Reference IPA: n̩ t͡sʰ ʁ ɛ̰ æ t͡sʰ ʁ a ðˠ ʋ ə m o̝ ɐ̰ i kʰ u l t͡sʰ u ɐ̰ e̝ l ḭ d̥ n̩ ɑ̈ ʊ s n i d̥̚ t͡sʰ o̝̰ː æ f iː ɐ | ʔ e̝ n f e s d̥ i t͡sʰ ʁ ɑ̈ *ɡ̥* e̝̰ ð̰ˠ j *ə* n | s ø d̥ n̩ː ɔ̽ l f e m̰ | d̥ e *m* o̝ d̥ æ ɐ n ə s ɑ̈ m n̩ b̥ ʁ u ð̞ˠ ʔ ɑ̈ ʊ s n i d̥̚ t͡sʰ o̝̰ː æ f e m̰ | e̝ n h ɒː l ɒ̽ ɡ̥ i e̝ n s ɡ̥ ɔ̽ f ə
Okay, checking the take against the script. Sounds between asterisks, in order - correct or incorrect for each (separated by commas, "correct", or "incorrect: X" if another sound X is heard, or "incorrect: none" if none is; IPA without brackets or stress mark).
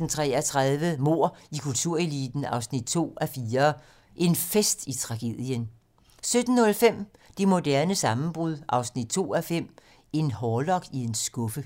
correct, correct, correct